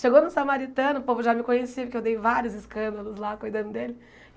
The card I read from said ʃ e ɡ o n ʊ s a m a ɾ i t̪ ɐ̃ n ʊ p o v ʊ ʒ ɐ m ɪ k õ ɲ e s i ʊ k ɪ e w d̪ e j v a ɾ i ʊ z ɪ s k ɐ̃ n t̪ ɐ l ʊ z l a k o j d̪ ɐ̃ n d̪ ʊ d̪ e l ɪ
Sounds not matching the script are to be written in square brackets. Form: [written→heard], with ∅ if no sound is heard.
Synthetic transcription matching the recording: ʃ e ɡ o n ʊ s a m a ɾ i t̪ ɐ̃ n ʊ p o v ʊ ʒ [ɐ→a] m ɪ k õ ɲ e s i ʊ k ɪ e w d̪ e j v a ɾ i ʊ z ɪ s k ɐ̃ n [t̪→d̪] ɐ l ʊ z l a k o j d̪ ɐ̃ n d̪ ʊ d̪ e l ɪ